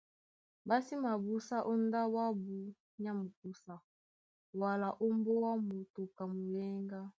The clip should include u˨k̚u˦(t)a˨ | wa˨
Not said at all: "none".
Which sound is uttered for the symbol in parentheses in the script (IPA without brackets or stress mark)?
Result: s